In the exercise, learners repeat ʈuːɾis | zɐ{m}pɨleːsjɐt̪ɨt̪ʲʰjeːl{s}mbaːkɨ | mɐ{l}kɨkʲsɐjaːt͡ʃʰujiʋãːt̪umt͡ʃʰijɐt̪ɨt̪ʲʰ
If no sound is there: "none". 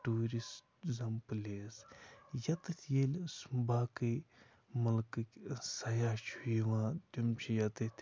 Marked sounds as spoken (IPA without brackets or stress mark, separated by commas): m, s, l